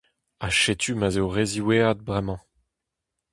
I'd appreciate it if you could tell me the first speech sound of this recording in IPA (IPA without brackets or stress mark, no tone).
a